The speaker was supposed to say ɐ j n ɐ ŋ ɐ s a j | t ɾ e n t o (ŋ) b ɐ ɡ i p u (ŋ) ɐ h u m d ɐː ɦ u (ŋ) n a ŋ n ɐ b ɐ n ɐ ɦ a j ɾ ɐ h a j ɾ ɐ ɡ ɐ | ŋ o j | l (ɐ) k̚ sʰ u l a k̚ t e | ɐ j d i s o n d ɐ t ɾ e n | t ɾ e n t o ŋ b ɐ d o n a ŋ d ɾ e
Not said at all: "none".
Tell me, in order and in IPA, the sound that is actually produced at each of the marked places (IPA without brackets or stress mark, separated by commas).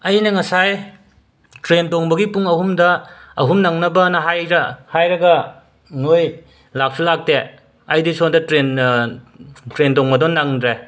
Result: ŋ, ŋ, m, a